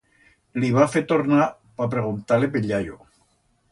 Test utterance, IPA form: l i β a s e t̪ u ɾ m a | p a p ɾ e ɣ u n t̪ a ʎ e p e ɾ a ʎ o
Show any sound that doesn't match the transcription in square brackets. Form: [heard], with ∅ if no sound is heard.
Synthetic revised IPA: l i β a [f] e t̪ [o] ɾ [n] a | p a p ɾ e ɣ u n t̪ a [l] e p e [ʎ] a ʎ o